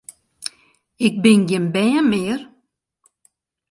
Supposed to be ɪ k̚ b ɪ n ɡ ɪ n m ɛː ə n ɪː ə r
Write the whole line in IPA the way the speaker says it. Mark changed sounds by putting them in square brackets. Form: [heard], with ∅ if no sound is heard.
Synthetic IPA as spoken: ɪ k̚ b ɪ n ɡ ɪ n [b] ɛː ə [m] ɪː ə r